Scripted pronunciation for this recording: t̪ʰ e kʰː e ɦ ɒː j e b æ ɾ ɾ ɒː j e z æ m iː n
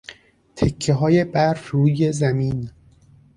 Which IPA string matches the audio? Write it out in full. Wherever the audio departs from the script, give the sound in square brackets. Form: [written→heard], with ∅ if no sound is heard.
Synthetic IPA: t̪ʰ e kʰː e ɦ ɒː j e b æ ɾ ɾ [ɒː→uː] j e z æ m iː n